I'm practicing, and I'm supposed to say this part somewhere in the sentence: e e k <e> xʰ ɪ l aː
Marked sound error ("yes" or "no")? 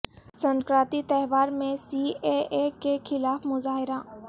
no